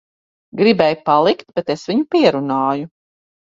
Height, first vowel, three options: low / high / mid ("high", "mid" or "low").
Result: high